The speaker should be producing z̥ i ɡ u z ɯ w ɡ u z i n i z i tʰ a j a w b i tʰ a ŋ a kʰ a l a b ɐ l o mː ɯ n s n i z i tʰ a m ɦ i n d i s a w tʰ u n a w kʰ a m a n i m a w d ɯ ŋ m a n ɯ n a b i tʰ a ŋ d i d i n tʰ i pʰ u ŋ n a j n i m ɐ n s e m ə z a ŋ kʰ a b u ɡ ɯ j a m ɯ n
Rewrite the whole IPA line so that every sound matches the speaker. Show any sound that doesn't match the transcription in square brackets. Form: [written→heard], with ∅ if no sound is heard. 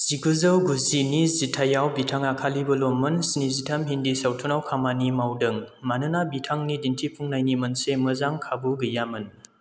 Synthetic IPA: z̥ i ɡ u z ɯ w ɡ u z i n i z i tʰ a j a w b i tʰ a ŋ a kʰ a l [a→i] b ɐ l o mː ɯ n s n i z i tʰ a m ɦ i n d i s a w tʰ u n a w kʰ a m a n i m a w d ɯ ŋ m a n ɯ n a b i tʰ a ŋ [d→n] i d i n tʰ i pʰ u ŋ n a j n i m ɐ n s e m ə z a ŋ kʰ a b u ɡ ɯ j a m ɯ n